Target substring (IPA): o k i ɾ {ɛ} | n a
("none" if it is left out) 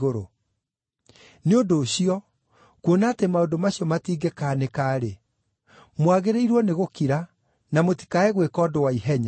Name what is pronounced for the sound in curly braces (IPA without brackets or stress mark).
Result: a